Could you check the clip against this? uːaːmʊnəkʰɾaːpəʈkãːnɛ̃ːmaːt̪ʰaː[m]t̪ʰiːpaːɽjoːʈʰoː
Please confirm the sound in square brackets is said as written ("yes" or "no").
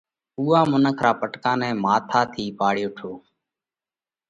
no